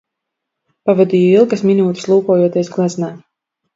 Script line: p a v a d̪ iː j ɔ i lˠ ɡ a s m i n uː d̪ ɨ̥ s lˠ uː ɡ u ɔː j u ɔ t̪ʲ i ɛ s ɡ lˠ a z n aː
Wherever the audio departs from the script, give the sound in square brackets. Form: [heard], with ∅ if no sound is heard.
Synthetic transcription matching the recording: p a v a d̪ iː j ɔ i lˠ ɡ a s m i n uː [t̪] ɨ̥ s lˠ uː [k] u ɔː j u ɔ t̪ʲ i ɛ s ɡ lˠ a z n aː